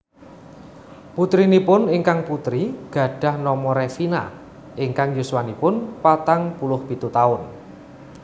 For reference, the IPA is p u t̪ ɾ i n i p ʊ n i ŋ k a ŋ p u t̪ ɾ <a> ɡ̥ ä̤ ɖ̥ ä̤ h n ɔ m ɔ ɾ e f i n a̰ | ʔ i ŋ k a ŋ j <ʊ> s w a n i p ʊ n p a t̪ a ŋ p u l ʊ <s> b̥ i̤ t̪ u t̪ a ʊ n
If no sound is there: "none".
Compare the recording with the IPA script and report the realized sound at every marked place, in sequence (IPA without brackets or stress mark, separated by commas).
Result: i, u, h